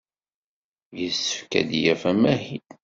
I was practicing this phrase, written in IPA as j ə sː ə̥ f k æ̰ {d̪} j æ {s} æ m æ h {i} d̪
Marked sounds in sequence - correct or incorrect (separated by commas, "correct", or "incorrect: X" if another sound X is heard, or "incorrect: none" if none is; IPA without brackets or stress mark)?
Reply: correct, incorrect: f, correct